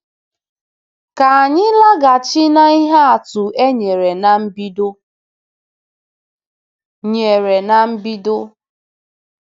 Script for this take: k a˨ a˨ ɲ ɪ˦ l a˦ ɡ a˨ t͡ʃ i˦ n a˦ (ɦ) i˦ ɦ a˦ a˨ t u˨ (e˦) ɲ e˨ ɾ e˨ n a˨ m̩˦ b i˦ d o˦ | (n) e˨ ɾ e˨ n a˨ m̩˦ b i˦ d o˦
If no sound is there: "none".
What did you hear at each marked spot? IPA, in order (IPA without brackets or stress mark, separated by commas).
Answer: none, e˦, ɲ